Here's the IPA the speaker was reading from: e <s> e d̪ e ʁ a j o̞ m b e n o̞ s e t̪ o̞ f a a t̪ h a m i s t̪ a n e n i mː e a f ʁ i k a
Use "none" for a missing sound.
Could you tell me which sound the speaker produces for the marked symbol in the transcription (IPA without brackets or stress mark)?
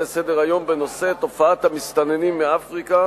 s